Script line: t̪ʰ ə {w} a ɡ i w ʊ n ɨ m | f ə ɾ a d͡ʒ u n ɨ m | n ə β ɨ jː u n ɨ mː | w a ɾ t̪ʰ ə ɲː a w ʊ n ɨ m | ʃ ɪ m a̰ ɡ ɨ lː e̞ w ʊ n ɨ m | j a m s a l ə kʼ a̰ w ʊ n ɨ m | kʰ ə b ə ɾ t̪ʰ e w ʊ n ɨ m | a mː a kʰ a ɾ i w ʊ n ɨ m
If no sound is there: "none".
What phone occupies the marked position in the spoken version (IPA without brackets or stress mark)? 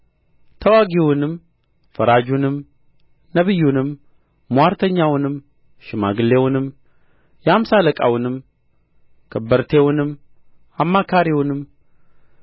w